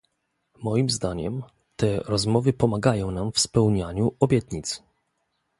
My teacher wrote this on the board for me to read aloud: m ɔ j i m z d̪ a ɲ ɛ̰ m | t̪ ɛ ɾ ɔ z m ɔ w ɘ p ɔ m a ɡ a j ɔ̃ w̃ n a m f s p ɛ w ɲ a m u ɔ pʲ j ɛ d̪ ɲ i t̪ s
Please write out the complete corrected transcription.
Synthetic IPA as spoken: m ɔ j i m z d̪ a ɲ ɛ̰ m | t̪ ɛ ɾ ɔ z m ɔ v ɘ p ɔ m a ɡ a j ɔ̃ w̃ n a m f s p ɛ w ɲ a ɲ u ɔ bʲ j ɛ t̪ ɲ i t̪ s